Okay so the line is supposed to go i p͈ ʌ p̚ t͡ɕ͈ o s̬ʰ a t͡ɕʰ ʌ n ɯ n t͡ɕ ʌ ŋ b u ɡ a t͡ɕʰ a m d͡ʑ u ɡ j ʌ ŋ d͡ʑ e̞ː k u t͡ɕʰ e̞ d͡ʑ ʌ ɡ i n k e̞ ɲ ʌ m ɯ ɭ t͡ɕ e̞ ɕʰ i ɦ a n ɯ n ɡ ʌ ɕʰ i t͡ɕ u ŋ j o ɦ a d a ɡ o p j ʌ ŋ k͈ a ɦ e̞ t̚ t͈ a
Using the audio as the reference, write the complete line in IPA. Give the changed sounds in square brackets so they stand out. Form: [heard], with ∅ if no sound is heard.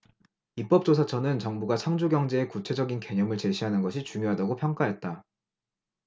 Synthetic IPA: i p͈ ʌ p̚ t͡ɕ͈ o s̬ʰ a t͡ɕʰ ʌ n ɯ n t͡ɕ ʌ ŋ b u ɡ a t͡ɕʰ a [ŋ] d͡ʑ u ɡ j ʌ ŋ d͡ʑ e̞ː k u t͡ɕʰ e̞ d͡ʑ ʌ ɡ i n k e̞ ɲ ʌ m ɯ ɭ t͡ɕ e̞ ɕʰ i ɦ a n ɯ n ɡ ʌ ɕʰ i t͡ɕ u ŋ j o ɦ a d a ɡ o [pʰ] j ʌ ŋ k͈ a ɦ e̞ t̚ t͈ a